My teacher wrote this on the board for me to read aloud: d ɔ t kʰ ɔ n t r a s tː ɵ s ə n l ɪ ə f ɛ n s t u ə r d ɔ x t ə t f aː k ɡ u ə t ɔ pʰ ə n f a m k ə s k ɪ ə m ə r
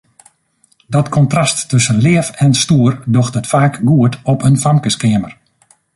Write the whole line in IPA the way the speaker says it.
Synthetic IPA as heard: d ɔ t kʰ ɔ n t r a s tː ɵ s ə n l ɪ ə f ɛ n s t u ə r d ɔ x t ə t f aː k ɡ u ə t ɔ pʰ ə n f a m k ə s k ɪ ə m ə r